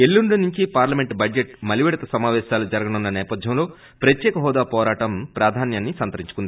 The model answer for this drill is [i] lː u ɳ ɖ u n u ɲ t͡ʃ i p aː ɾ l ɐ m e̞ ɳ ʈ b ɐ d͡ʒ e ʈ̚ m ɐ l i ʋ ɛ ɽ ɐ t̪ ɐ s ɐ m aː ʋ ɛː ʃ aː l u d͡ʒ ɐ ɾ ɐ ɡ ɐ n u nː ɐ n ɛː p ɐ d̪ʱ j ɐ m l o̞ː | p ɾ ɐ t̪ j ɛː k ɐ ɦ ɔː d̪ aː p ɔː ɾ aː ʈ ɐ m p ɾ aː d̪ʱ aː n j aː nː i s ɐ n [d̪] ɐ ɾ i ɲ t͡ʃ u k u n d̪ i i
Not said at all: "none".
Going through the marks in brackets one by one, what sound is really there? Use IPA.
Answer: e, t̪

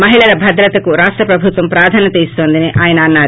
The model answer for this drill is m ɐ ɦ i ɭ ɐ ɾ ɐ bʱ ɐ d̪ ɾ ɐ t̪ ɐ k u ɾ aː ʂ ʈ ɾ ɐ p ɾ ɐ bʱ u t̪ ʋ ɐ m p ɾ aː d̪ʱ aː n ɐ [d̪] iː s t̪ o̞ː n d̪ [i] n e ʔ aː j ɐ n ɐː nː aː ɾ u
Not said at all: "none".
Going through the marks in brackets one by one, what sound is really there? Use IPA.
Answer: t̪, i

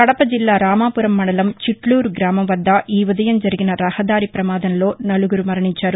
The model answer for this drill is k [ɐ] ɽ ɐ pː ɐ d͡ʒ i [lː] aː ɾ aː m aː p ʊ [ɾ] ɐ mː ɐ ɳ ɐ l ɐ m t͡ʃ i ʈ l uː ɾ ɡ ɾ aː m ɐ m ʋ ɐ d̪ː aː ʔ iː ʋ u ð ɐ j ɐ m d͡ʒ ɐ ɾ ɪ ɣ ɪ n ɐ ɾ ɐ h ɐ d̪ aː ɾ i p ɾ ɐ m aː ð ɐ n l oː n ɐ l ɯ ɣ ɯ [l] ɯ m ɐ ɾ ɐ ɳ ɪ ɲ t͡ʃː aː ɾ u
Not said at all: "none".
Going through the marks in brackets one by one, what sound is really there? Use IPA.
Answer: ɐ, lː, ɾ, ɾ

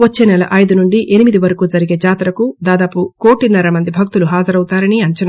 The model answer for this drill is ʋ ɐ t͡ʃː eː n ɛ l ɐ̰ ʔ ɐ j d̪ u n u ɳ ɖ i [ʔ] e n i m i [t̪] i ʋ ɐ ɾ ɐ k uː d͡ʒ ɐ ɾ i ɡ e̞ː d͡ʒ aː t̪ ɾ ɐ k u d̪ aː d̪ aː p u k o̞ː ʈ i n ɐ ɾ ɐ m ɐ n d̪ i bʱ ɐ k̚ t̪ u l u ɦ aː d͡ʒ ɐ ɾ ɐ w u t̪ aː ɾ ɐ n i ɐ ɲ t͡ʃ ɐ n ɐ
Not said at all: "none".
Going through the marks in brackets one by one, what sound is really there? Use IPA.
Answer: ʔ, d̪

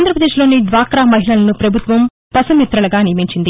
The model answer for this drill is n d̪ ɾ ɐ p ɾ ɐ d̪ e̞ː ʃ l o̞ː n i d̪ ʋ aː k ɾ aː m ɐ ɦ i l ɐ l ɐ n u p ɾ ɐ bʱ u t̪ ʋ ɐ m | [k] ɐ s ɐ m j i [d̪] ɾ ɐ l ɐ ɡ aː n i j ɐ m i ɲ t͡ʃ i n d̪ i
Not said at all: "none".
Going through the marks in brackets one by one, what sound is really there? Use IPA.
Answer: p, t̪

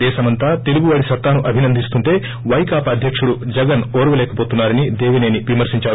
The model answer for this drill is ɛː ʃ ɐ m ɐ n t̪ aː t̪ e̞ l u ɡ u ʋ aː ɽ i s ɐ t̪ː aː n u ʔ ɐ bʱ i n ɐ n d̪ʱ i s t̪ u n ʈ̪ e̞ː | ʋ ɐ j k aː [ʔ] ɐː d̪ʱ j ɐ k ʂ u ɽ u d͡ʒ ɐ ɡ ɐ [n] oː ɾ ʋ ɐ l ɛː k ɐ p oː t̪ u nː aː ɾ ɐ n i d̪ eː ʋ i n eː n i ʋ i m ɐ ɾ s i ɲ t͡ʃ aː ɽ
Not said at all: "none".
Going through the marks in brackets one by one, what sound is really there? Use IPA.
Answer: p, n

